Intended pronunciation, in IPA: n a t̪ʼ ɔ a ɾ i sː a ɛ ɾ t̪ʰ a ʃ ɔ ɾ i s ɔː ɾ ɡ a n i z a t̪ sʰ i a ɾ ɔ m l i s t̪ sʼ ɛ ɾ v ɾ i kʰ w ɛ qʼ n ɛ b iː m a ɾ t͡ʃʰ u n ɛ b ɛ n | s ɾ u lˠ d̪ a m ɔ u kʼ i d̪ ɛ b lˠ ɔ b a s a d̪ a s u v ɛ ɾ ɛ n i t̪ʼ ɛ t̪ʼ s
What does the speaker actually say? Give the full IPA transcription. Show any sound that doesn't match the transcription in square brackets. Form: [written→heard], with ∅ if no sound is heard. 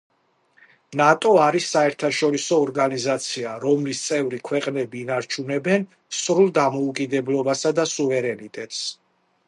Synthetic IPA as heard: n a t̪ʼ ɔ a ɾ i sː a ɛ ɾ t̪ʰ a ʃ ɔ ɾ i s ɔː ɾ ɡ a n i z a t̪ sʰ i a ɾ ɔ m l i s t̪ sʼ ɛ [ɾ→∅] v ɾ i kʰ w ɛ qʼ n ɛ b iː [m→n] a ɾ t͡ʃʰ u n ɛ b ɛ n | s ɾ u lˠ d̪ a m ɔ u kʼ i d̪ ɛ b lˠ ɔ b a s a d̪ a s u v ɛ ɾ ɛ n i t̪ʼ ɛ t̪ʼ s